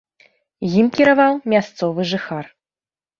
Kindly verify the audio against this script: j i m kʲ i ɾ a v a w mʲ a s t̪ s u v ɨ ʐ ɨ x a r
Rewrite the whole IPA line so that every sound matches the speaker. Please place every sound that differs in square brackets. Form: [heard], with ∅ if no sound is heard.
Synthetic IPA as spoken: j i m kʲ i ɾ a v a w mʲ a s t̪ s [ɔ] v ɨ ʐ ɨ x a r